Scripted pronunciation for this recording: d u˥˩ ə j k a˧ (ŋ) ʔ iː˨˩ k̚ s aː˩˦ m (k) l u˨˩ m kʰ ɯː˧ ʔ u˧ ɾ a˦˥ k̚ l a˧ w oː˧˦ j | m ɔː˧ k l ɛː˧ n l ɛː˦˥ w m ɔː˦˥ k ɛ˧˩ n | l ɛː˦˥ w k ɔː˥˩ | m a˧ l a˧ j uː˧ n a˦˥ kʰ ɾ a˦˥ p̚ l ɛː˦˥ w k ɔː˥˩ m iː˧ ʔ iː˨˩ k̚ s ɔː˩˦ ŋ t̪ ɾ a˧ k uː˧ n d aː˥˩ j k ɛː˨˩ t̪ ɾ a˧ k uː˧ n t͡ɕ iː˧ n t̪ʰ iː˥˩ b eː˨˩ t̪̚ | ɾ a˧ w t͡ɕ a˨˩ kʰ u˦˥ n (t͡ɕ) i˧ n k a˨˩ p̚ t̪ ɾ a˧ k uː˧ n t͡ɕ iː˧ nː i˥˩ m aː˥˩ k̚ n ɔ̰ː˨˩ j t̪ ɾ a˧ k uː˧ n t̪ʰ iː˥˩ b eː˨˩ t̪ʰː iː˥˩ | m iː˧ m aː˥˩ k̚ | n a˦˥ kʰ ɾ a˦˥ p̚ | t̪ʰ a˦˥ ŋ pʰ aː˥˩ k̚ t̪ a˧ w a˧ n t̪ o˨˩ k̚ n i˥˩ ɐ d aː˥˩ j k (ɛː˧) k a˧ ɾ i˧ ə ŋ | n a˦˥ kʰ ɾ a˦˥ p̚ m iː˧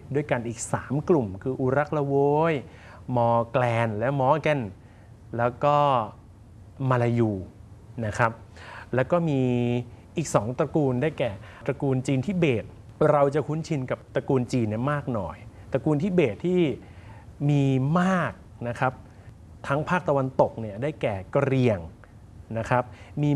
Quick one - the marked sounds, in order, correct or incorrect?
incorrect, correct, incorrect, incorrect

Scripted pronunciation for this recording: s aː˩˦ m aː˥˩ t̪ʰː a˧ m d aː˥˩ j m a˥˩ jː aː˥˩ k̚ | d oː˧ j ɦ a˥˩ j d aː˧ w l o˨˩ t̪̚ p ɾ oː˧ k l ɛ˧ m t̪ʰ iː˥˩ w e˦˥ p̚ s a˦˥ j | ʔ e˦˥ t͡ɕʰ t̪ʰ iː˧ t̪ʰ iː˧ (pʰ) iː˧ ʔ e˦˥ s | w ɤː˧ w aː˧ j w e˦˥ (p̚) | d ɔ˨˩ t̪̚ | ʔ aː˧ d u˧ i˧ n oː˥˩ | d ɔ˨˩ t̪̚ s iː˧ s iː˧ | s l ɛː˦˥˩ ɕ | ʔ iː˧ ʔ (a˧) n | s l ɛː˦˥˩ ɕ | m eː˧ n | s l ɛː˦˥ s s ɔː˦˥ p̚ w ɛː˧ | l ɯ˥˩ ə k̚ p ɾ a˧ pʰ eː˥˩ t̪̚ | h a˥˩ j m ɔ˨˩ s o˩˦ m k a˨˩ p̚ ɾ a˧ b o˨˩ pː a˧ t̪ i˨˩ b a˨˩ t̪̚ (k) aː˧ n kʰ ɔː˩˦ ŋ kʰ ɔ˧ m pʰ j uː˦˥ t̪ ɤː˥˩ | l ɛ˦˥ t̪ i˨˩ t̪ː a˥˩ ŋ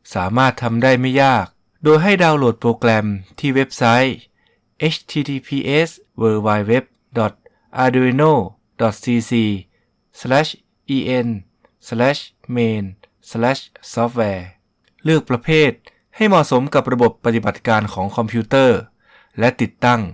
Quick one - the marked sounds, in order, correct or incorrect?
correct, correct, incorrect, correct

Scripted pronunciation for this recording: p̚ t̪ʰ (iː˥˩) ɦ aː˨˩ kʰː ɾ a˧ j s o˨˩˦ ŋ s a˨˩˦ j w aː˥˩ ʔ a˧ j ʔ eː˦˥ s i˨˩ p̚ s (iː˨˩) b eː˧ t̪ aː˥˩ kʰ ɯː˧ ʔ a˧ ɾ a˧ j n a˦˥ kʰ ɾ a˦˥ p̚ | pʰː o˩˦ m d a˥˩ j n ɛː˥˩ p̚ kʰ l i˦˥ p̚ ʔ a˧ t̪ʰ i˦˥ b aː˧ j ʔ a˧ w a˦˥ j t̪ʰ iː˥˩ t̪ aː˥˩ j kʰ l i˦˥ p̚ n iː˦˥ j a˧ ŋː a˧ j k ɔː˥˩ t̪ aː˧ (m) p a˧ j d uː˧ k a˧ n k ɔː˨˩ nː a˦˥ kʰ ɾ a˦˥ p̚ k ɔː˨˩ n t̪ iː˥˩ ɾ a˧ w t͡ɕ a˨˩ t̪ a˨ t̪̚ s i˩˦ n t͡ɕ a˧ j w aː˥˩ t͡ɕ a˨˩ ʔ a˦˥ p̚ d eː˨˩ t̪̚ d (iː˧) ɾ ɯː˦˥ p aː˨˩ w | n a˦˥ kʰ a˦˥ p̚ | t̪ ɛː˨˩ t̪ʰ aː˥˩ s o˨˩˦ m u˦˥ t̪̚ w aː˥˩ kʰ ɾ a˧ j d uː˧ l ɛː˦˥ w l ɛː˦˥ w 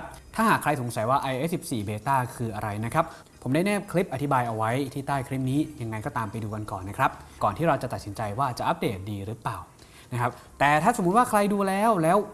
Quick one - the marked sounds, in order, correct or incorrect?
incorrect, correct, correct, correct

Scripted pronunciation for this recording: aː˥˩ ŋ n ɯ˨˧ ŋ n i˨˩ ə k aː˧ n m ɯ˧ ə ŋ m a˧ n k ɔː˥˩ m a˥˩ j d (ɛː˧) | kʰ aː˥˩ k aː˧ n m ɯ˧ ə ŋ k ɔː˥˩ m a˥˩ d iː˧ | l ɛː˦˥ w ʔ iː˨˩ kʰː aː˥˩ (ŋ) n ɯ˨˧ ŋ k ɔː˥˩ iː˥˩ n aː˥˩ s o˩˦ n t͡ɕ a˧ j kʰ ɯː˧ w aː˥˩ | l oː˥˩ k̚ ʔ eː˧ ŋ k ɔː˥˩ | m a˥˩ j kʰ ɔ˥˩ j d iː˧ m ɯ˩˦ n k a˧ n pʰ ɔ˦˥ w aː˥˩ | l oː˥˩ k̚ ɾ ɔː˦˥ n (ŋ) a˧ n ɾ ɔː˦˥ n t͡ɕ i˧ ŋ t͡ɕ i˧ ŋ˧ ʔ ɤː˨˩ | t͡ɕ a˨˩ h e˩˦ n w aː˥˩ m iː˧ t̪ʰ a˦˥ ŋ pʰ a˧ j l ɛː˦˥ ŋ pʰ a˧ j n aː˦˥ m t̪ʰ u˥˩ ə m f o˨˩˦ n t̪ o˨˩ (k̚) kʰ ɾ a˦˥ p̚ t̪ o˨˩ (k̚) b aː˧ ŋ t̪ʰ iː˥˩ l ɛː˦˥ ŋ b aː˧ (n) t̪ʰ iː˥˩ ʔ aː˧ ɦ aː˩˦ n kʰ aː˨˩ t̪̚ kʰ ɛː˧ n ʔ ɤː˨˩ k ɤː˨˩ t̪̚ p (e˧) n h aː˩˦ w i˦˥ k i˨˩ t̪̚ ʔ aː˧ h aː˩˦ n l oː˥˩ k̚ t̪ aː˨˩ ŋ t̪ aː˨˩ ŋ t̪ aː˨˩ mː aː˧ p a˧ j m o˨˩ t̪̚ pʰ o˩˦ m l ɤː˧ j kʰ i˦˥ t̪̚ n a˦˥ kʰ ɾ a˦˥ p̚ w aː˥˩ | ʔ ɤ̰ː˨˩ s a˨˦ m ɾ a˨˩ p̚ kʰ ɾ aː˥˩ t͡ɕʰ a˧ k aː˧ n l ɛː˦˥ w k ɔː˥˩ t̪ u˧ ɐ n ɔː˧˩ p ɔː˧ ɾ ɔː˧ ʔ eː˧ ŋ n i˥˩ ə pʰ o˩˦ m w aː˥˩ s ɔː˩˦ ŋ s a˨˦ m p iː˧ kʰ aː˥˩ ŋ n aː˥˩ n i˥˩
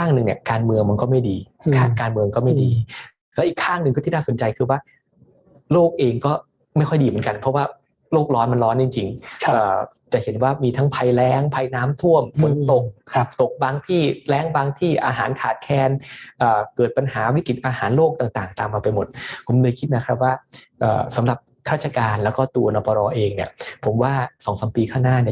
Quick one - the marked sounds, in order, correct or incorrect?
incorrect, correct, incorrect, correct, correct, incorrect, incorrect

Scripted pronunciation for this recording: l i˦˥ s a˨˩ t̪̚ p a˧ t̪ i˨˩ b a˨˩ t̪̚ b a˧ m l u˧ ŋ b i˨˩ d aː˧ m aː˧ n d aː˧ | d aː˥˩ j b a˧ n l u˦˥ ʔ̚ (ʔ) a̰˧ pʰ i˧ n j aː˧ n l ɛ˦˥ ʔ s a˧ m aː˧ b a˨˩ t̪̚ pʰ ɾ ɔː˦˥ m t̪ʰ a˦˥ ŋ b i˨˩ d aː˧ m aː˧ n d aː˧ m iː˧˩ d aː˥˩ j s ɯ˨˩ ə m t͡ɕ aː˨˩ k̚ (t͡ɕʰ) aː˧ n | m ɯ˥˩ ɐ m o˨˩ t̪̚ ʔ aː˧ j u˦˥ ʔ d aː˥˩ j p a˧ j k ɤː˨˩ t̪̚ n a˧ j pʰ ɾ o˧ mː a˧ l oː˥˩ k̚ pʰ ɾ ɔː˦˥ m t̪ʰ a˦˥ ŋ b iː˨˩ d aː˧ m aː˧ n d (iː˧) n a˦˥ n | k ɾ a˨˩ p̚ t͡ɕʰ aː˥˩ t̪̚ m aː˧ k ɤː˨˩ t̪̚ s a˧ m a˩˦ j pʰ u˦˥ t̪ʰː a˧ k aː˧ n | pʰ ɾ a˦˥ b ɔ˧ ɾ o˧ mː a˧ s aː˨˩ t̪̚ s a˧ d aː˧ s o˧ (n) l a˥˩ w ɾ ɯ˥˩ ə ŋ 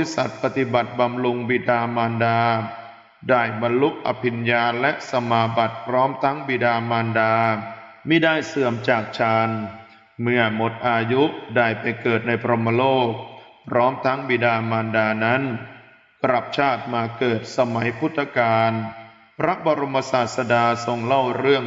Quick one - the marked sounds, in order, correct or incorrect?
correct, correct, incorrect, incorrect

